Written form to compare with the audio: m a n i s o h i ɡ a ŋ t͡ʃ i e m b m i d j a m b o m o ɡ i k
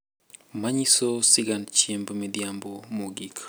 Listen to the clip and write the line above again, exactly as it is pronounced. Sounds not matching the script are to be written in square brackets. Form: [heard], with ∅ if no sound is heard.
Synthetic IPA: m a [ɲ] i s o [s] i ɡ a [n] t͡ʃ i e m b m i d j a m b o m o ɡ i k